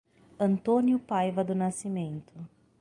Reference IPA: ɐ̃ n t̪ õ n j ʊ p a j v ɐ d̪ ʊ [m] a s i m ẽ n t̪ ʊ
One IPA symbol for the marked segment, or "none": n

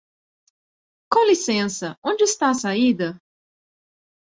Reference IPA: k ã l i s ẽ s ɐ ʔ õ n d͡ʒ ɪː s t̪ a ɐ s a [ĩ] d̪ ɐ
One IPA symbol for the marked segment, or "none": i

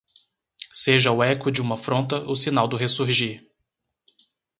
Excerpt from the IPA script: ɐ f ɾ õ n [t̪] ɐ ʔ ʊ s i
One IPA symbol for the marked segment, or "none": t̪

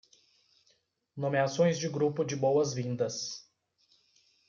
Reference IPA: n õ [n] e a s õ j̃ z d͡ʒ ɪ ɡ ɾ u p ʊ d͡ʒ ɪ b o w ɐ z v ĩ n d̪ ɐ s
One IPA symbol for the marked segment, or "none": m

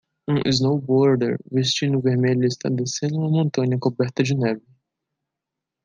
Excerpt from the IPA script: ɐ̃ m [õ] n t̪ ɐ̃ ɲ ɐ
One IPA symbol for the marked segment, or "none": õ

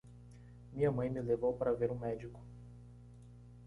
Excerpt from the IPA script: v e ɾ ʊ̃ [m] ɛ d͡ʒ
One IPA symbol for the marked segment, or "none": m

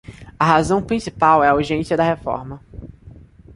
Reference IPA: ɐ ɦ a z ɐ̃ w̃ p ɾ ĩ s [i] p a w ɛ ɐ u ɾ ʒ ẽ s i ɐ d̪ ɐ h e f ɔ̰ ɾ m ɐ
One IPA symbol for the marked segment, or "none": i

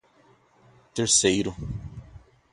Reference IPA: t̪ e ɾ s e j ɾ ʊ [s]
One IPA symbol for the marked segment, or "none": none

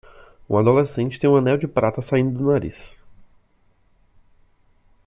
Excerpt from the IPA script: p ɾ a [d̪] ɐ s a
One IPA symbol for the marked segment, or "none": t̪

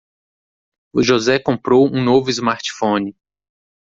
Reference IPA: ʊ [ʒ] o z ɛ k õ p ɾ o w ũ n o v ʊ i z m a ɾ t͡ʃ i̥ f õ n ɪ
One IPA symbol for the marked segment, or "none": ʒ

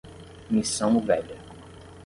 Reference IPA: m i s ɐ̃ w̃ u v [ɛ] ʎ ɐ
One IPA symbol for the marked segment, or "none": ɛ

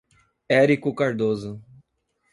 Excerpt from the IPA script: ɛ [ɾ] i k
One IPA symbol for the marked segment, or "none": ɾ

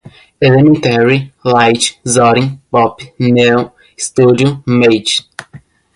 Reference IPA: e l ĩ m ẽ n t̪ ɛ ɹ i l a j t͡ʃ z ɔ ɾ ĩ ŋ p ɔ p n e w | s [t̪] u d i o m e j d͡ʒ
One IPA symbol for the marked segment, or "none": t̪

